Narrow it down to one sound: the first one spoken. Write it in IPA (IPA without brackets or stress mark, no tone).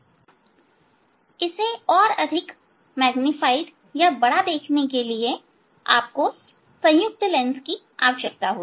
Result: ɪ